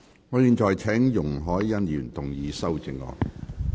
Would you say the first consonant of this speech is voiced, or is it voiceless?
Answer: voiced